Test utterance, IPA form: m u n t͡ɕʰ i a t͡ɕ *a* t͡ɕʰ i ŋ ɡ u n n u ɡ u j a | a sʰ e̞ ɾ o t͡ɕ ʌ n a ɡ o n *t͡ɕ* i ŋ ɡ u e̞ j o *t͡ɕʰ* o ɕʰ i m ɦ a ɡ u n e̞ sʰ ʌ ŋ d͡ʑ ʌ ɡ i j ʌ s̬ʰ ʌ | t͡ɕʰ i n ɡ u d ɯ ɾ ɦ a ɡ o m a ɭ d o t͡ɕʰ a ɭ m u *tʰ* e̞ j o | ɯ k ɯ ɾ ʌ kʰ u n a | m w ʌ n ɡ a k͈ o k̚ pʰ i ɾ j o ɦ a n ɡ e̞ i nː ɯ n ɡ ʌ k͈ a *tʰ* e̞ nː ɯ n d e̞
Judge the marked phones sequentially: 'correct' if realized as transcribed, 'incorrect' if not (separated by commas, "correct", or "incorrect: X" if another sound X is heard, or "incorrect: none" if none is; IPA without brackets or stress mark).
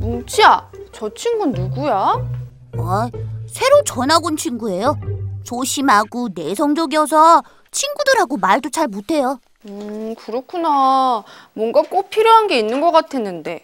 incorrect: ʌ, incorrect: t͡ɕʰ, incorrect: t͡ɕ, correct, correct